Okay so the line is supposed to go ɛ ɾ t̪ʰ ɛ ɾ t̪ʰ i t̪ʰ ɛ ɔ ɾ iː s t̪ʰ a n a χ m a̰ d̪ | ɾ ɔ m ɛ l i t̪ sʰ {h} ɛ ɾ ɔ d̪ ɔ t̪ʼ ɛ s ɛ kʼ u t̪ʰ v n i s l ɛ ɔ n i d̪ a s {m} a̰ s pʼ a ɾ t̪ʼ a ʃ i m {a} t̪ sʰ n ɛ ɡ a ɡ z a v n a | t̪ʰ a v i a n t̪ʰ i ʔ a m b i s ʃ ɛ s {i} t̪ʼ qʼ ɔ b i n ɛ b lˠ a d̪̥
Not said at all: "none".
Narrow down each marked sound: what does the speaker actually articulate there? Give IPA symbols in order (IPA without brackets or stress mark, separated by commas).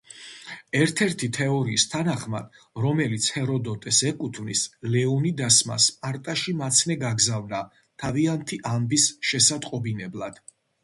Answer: h, m, a, a